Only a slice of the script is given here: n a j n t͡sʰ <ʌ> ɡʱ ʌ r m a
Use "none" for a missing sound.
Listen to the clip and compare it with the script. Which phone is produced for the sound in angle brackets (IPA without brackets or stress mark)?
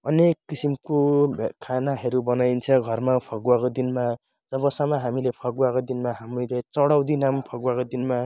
ʌ